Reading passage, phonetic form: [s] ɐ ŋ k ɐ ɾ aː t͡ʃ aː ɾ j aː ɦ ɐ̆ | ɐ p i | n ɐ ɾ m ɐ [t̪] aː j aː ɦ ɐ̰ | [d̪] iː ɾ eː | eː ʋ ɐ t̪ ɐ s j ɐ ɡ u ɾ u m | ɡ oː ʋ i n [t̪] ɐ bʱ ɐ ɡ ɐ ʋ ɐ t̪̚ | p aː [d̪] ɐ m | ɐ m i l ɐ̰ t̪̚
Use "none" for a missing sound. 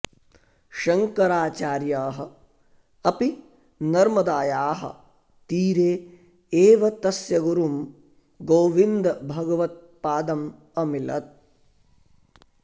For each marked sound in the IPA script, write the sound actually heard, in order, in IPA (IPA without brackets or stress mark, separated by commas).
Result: ʃ, d̪, t̪, d̪, d̪